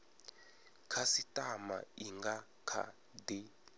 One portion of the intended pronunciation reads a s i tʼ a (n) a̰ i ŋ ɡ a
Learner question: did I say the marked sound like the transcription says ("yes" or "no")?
no